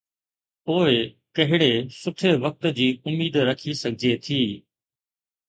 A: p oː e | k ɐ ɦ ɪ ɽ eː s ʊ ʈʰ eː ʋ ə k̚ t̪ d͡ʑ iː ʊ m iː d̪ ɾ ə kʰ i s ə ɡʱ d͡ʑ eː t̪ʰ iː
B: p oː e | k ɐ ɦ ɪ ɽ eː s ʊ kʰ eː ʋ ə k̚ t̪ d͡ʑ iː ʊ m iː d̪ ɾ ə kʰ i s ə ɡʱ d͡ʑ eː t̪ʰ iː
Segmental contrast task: A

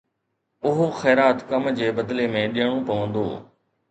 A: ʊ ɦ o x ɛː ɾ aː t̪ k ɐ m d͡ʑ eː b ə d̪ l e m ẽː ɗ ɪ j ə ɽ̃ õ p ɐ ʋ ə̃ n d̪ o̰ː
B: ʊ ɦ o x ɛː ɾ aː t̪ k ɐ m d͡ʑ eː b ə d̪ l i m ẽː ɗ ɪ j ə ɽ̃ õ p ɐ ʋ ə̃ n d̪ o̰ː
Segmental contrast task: A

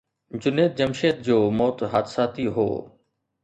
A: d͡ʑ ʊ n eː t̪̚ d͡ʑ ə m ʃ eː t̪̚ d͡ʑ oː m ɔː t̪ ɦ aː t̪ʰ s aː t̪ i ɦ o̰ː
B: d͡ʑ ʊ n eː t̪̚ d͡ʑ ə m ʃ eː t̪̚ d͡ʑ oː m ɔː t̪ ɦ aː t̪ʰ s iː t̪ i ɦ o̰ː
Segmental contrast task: A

